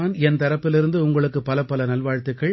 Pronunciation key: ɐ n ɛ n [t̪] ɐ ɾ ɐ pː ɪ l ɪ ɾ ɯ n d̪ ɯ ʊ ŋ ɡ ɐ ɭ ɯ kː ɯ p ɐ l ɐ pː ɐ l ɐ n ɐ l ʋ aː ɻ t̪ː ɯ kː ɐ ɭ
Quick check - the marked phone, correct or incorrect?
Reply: correct